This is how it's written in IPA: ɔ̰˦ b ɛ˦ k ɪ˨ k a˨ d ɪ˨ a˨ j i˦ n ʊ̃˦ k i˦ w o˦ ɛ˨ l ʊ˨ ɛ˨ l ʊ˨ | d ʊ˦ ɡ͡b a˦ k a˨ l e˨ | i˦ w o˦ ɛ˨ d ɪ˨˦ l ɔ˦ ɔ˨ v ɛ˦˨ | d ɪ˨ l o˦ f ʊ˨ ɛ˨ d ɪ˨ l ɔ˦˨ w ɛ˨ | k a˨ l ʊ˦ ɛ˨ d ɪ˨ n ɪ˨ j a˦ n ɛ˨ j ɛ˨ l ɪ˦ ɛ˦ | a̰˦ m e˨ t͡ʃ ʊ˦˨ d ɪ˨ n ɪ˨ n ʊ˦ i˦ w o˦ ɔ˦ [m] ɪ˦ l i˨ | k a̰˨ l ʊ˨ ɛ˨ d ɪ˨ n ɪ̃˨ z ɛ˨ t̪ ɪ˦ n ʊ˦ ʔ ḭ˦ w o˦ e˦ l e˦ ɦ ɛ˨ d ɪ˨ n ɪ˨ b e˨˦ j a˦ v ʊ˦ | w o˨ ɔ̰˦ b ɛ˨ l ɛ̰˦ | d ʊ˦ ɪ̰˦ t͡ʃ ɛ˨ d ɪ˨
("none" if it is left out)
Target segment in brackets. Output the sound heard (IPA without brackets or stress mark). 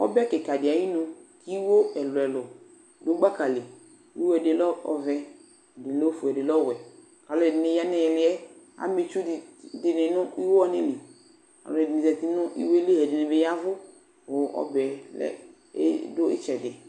n